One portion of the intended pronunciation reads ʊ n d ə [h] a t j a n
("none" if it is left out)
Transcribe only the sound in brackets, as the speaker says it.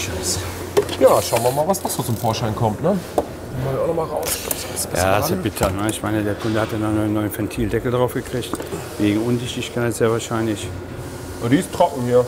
h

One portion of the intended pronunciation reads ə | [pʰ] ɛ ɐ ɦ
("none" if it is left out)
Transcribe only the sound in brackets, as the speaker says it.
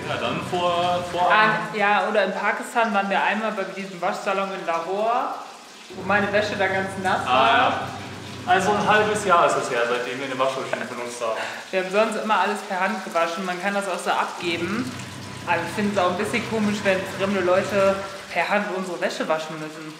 pʰ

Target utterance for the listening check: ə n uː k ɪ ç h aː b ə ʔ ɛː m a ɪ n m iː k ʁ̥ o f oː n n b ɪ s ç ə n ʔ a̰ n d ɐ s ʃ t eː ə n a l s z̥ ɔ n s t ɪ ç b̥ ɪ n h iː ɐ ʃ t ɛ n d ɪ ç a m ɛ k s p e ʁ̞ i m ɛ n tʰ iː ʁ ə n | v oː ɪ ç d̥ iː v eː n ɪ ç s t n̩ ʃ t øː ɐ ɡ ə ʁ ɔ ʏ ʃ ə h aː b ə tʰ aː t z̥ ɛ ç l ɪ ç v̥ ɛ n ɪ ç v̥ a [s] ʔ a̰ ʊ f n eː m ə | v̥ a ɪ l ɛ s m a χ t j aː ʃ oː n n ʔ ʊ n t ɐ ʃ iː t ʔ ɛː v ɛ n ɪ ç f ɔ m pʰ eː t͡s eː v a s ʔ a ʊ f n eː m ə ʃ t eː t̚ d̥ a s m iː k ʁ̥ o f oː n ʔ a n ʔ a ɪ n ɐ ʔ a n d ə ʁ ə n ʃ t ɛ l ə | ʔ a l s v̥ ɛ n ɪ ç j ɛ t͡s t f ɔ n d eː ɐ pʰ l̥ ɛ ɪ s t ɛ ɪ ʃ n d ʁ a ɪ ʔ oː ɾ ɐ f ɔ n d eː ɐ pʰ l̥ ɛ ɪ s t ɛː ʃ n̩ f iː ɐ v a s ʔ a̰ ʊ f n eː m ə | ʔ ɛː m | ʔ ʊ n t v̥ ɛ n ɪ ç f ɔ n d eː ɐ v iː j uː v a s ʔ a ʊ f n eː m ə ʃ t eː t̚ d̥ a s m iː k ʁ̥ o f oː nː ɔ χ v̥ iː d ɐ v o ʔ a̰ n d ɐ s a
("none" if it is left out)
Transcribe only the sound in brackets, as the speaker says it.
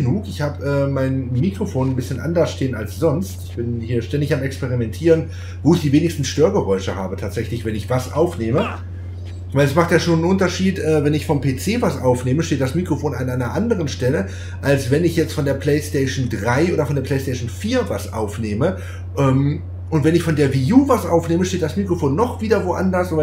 s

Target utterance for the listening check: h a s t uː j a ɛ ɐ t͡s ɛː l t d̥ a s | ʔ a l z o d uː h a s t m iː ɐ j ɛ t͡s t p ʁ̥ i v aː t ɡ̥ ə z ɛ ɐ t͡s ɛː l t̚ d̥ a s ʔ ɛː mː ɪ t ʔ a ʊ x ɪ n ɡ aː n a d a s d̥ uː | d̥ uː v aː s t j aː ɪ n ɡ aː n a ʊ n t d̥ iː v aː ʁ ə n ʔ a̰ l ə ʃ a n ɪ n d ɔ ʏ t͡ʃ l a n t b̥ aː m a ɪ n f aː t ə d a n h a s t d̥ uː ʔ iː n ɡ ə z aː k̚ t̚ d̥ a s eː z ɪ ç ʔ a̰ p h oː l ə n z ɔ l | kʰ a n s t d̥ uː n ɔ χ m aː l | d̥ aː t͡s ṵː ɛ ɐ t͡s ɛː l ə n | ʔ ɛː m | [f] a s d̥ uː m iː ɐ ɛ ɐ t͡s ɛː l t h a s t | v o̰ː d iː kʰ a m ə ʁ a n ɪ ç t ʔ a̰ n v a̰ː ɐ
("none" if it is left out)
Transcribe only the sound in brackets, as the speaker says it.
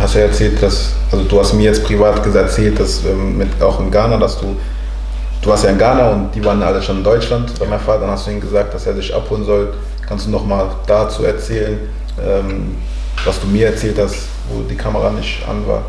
v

